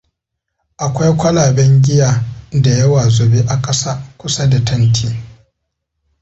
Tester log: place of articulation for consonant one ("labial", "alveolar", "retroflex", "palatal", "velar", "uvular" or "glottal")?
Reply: glottal